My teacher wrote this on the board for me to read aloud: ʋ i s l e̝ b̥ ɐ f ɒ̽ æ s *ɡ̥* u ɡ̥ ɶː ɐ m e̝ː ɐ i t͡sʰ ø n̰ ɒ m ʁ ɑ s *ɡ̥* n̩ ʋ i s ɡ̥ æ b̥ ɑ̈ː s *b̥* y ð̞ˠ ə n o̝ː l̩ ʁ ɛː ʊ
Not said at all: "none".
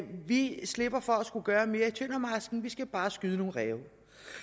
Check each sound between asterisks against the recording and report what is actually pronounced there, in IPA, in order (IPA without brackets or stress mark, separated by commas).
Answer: ɡ̥, ɡ̥, ɡ̥